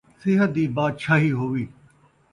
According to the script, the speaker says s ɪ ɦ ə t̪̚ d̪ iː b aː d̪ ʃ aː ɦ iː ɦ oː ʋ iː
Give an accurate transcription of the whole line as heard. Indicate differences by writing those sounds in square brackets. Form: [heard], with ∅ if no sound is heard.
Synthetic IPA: s ɪ ɦ ə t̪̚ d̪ iː b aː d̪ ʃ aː ɦ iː ɦ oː ʋ iː